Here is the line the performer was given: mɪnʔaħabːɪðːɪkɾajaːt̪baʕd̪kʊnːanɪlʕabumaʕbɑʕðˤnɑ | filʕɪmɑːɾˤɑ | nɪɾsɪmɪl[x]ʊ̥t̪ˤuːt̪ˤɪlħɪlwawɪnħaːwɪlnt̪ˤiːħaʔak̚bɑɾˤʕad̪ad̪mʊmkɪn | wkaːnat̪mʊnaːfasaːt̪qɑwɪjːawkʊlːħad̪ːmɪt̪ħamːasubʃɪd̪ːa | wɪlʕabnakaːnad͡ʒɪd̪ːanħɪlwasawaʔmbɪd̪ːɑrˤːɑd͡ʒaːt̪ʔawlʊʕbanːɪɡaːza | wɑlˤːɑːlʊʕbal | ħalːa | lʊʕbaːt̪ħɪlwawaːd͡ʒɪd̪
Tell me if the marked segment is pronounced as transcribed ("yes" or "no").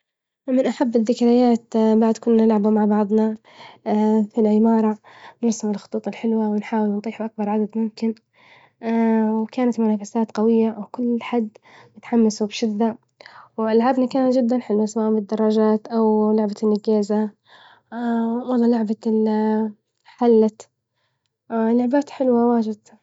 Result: yes